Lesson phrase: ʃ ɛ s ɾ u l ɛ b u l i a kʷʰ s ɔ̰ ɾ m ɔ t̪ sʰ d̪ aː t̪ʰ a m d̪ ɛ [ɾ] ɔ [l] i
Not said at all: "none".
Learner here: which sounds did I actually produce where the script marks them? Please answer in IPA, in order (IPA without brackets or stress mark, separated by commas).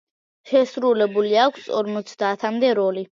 ɾ, l